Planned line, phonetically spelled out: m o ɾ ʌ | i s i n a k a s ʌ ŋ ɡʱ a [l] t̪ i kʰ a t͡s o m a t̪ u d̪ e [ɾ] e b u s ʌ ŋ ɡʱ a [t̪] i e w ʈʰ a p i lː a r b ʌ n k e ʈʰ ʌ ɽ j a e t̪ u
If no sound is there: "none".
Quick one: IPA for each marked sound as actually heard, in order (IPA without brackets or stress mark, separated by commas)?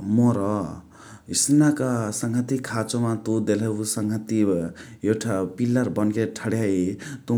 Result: none, l, t̪